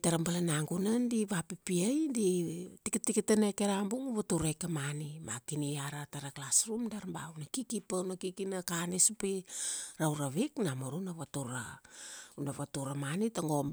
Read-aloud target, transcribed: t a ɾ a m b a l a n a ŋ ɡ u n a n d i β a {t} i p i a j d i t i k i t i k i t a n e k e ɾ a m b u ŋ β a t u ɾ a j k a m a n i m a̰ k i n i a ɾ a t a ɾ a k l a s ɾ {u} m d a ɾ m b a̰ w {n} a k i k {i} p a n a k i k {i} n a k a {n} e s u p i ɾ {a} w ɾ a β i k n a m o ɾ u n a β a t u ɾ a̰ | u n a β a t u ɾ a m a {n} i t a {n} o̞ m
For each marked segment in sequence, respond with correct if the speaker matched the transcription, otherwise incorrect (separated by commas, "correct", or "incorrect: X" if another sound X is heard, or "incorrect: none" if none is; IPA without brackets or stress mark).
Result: incorrect: p, correct, correct, correct, correct, correct, correct, correct, incorrect: ŋ